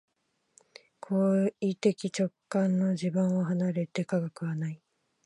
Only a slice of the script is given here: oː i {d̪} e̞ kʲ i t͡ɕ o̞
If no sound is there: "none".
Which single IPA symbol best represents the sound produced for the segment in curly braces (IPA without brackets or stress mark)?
t̪